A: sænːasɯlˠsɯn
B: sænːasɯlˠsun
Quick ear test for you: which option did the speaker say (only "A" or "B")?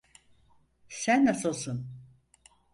B